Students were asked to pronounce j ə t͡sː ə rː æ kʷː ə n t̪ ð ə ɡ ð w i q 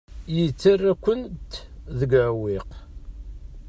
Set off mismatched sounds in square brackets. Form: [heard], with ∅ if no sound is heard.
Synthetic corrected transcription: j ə t͡sː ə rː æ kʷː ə n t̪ ð ə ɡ [ʕ] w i q